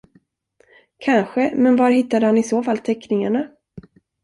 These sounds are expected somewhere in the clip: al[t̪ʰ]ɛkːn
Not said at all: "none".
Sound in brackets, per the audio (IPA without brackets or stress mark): t̪ʰ